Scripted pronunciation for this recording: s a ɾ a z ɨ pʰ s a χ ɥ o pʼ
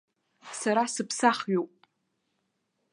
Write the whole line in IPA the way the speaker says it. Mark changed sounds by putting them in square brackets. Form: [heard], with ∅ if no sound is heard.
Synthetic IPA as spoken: s a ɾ a [s] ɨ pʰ s a χ ɥ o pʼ